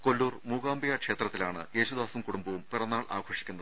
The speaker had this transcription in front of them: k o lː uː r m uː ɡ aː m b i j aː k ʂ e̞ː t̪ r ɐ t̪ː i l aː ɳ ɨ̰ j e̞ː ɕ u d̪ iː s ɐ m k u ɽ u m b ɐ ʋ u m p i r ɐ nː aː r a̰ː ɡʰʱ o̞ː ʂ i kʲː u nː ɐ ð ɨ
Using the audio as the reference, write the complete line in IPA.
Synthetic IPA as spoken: k o lː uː r m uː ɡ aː m b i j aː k ʂ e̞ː t̪ r ɐ t̪ː i l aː ɳ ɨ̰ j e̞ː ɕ u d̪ aː s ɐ m k u ɽ u m b ɐ ʋ u m p i r ɐ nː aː ɭ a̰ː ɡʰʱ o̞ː ʂ i kʲː u nː ɐ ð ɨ